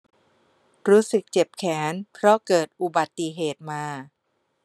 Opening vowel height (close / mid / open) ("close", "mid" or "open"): close